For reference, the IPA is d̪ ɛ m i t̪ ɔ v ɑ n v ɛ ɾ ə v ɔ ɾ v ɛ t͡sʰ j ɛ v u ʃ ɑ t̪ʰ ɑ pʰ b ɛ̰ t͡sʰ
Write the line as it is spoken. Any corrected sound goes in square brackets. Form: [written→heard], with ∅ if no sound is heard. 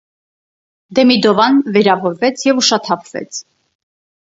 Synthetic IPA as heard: d̪ ɛ m i [t̪→d̪] ɔ v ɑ n v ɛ ɾ [ə→ɑ] v ɔ ɾ v ɛ t͡sʰ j ɛ v u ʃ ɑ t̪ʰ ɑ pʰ [b→v] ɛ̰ t͡sʰ